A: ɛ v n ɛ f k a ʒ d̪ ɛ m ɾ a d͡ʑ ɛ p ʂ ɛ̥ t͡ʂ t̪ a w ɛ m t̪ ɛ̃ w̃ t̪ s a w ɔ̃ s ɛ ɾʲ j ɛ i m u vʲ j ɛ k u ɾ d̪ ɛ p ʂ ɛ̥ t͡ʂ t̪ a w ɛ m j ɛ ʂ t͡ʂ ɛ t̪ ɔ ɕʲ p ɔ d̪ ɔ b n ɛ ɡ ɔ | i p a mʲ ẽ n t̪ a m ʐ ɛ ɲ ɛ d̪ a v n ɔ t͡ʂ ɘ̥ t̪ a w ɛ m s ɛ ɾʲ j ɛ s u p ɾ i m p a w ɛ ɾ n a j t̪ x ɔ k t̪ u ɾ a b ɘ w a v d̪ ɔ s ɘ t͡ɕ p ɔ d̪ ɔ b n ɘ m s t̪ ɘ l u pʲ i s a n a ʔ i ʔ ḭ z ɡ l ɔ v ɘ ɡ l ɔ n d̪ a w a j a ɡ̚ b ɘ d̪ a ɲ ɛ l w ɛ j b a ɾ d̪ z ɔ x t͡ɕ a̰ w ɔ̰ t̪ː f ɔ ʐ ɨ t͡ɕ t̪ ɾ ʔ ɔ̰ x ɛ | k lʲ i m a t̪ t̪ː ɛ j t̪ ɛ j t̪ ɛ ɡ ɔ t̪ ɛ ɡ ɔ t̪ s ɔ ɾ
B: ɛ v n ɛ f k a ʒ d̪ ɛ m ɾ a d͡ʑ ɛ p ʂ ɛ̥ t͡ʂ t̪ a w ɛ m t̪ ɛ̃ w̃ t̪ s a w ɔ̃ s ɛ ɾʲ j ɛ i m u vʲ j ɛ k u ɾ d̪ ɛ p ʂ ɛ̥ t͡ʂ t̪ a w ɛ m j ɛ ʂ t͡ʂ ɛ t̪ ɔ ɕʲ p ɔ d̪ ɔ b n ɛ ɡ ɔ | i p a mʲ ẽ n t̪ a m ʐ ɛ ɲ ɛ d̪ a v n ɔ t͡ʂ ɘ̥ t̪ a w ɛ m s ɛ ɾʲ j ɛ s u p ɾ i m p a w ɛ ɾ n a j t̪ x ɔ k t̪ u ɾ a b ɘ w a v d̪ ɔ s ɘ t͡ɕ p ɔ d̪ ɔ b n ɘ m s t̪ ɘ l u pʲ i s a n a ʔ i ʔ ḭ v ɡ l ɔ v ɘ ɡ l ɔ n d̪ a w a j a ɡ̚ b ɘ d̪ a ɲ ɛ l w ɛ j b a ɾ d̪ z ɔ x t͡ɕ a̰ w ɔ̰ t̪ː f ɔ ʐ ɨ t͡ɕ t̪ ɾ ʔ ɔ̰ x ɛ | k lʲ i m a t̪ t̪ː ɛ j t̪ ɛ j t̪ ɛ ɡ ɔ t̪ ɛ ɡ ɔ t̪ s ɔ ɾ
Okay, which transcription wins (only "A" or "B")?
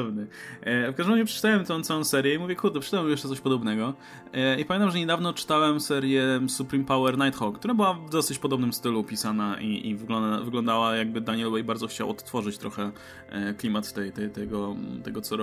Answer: B